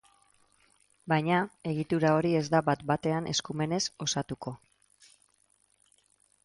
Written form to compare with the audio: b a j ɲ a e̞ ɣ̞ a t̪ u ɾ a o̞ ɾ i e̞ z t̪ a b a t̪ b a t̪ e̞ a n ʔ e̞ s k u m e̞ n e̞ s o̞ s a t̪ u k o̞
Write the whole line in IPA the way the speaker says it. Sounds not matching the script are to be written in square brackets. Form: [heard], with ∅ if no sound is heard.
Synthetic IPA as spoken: b a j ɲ a e̞ ɣ̞ [i] t̪ u ɾ a o̞ ɾ i e̞ z [d̪] a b a t̪ b a t̪ e̞ a n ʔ e̞ s k u m e̞ n e̞ s o̞ s a t̪ u k o̞